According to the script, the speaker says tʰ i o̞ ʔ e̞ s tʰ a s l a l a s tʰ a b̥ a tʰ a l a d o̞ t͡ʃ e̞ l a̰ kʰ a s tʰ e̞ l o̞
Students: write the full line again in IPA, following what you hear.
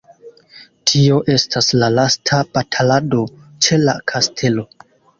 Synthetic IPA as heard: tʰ i o̞ ʔ e̞ s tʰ a s l a l a s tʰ a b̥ a tʰ a l a d o̞ t͡ʃ e̞ l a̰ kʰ a s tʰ e̞ l o̞